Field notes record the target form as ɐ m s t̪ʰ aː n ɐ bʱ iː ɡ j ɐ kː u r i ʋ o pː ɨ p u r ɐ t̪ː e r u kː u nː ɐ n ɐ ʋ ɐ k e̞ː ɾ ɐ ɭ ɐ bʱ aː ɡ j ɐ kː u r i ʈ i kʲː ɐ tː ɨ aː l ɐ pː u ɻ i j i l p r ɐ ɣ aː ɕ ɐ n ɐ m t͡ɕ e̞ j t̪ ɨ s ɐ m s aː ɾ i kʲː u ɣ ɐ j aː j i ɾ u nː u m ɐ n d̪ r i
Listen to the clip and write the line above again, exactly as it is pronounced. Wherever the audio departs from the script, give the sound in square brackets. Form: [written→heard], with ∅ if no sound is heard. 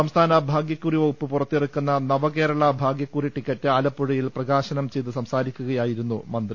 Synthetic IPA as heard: ɐ m s t̪ʰ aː n ɐ bʱ [iː→aː] ɡ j ɐ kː u r i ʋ o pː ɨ p u r ɐ t̪ː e r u kː u nː ɐ n ɐ ʋ ɐ k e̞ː ɾ ɐ ɭ ɐ bʱ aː ɡ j ɐ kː u r i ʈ i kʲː ɐ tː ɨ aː l ɐ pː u ɻ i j i l p r ɐ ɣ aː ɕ ɐ n ɐ m t͡ɕ e̞ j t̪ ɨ s ɐ m s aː ɾ i kʲː u ɣ ɐ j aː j i ɾ u nː u m ɐ n d̪ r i

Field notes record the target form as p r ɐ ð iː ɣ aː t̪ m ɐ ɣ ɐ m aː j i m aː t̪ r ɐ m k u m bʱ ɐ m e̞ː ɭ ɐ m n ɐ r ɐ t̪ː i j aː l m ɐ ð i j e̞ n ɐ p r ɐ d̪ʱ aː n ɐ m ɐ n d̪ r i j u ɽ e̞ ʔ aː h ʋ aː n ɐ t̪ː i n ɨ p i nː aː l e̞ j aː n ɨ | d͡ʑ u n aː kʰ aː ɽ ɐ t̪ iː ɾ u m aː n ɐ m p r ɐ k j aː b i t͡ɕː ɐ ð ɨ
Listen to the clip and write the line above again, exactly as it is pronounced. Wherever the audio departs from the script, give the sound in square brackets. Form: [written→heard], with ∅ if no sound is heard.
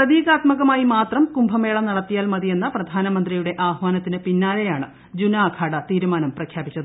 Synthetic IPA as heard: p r ɐ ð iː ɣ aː t̪ m ɐ ɣ ɐ m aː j i m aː t̪ r ɐ m k u m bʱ ɐ m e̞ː ɭ ɐ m n ɐ [r→ɽ] ɐ t̪ː i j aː l m ɐ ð i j e̞ [n→nː] ɐ p r ɐ d̪ʱ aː n ɐ m ɐ n d̪ r i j u ɽ e̞ ʔ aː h ʋ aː n ɐ t̪ː i n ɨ p i nː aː l e̞ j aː [n→ɳ] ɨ | d͡ʑ u n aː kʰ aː ɽ ɐ t̪ iː ɾ u m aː n ɐ m p r ɐ [k→kʰ] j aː b i t͡ɕː ɐ ð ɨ

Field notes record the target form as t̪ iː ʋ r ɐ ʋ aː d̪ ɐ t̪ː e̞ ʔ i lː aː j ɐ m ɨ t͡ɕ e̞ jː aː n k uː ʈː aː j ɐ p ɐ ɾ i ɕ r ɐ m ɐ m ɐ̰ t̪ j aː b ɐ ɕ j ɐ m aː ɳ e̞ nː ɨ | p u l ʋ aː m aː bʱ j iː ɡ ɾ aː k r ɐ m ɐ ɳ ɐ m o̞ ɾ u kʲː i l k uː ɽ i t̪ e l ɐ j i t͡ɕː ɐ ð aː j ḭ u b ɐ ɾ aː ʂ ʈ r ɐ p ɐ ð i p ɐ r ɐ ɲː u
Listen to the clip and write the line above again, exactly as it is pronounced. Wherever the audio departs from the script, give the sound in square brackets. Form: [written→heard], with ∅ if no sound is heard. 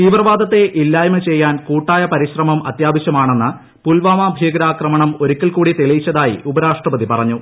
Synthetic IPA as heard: t̪ iː ʋ r ɐ ʋ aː d̪ ɐ t̪ː e̞ ʔ i lː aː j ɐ m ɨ t͡ɕ e̞ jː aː n k uː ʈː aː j ɐ p ɐ ɾ i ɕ r ɐ m ɐ m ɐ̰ t̪ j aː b ɐ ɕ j ɐ m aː ɳ e̞ nː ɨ | p u l ʋ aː m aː bʱ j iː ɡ ɾ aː k r ɐ m ɐ ɳ ɐ m o̞ ɾ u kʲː i l k uː ɽ i t̪ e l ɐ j i t͡ɕː ɐ ð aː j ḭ u b ɐ ɾ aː ʂ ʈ r ɐ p ɐ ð i p ɐ r ɐ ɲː u

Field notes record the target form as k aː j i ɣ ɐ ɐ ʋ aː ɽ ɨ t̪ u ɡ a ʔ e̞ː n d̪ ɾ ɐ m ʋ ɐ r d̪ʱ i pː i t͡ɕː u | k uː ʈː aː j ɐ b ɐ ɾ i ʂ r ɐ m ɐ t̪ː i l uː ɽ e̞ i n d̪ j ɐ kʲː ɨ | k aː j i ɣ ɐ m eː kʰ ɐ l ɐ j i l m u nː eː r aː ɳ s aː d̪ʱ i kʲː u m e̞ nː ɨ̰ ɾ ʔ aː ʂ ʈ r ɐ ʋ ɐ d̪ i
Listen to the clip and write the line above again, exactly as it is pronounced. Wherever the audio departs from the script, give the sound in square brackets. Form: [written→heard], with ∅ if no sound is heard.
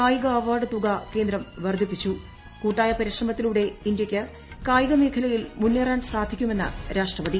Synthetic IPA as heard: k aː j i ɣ ɐ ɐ ʋ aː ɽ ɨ t̪ u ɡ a [ʔ→k] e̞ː n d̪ ɾ ɐ m ʋ ɐ r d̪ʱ i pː i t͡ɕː u | k uː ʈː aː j ɐ [b→p] ɐ ɾ i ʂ r ɐ m ɐ t̪ː i l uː ɽ e̞ i n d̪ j ɐ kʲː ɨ | k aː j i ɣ ɐ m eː kʰ ɐ l ɐ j i l m u nː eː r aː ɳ s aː d̪ʱ i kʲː u m e̞ nː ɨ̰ ɾ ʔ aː ʂ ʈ r ɐ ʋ ɐ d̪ i

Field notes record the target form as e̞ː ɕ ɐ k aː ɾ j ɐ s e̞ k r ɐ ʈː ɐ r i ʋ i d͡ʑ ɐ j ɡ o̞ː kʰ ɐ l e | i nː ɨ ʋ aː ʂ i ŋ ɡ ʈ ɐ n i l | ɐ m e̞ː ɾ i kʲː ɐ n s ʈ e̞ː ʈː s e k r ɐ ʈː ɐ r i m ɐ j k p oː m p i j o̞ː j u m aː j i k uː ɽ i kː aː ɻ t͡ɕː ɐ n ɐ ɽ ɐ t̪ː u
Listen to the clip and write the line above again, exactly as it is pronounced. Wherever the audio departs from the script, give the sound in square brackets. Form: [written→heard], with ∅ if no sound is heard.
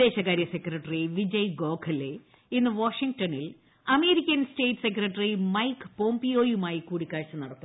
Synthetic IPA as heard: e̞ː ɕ ɐ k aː ɾ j ɐ s e̞ k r ɐ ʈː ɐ r i ʋ i d͡ʑ ɐ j ɡ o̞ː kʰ ɐ l e | i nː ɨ ʋ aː ʂ i ŋ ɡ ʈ ɐ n i l | ɐ m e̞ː ɾ i kʲː ɐ n s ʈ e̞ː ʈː s e k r ɐ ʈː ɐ r i m ɐ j k p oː m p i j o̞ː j u m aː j i k uː ɽ i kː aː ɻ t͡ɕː ɐ n ɐ ɽ ɐ t̪ː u

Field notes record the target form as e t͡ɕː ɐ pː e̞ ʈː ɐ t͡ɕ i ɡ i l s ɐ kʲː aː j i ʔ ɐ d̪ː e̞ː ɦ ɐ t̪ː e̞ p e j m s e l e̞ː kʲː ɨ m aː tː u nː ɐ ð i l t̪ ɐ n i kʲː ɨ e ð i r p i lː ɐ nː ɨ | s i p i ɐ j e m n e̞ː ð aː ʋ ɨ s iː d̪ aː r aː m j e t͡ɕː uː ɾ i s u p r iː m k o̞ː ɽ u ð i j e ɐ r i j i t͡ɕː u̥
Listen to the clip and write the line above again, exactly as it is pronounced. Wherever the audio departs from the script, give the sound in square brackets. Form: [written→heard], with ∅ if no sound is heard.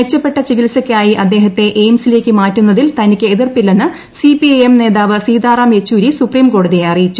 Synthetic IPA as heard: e t͡ɕː ɐ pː e̞ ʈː ɐ t͡ɕ i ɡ i l s ɐ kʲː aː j i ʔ ɐ d̪ː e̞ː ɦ ɐ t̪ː e̞ [p→ʔ] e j m s [e→i] l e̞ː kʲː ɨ m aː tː u nː ɐ ð i l t̪ ɐ n i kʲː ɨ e ð i r p i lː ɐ nː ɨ | s i p i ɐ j e m n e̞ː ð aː ʋ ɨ s iː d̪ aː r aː m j e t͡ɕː uː ɾ i s u p r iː m k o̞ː ɽ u ð i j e ɐ r i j i t͡ɕː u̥

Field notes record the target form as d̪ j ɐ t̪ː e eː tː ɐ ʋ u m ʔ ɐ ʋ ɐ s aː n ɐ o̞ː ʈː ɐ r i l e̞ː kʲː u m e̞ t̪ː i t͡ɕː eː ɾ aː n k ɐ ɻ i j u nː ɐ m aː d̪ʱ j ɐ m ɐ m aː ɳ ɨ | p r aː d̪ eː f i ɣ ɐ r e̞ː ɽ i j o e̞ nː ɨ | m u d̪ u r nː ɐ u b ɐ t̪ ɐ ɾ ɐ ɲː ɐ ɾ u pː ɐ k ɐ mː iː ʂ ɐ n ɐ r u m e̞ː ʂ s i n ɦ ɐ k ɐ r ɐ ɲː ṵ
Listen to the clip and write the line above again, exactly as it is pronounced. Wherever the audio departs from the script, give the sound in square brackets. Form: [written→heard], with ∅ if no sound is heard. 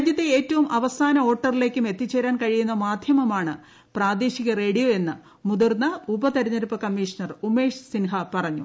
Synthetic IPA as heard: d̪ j ɐ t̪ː e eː tː ɐ ʋ u m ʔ ɐ ʋ ɐ s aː n ɐ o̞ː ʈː ɐ r i l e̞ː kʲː u m e̞ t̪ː i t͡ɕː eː ɾ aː n k ɐ ɻ i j u nː ɐ m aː d̪ʱ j ɐ m ɐ m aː ɳ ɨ | p r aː d̪ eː [f→ɕ] i ɣ ɐ r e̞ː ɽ i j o e̞ nː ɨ | m u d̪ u r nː ɐ u b ɐ t̪ ɐ ɾ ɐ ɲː ɐ ɾ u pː ɐ k ɐ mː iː ʂ ɐ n ɐ r u m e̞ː ʂ s i n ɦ ɐ [k→p] ɐ r ɐ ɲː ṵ

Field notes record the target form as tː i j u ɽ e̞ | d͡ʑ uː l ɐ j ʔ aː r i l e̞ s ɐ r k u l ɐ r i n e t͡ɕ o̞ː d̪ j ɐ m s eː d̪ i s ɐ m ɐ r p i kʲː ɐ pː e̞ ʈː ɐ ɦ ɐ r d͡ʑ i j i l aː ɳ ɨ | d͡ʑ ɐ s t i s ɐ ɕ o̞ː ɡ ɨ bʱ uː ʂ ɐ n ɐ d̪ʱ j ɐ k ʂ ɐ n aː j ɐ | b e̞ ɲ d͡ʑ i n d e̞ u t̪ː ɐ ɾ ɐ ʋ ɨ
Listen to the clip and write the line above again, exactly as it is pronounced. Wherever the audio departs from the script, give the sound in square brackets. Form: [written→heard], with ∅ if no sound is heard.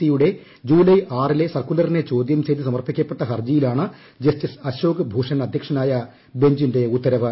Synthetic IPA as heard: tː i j u ɽ e̞ | d͡ʑ uː l ɐ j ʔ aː r i l e̞ s ɐ r k u l ɐ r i n e t͡ɕ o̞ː d̪ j ɐ m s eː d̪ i s ɐ m ɐ r p i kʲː ɐ pː e̞ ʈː ɐ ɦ ɐ r d͡ʑ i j i l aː ɳ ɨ | d͡ʑ ɐ s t i s ɐ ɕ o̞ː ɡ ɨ bʱ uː ʂ ɐ n ɐ d̪ʱ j ɐ k ʂ ɐ n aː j ɐ | b e̞ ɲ d͡ʑ i n d e̞ u t̪ː ɐ ɾ ɐ ʋ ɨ

